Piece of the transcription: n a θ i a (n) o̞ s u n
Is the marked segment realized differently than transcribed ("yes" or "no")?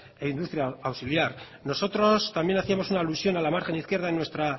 yes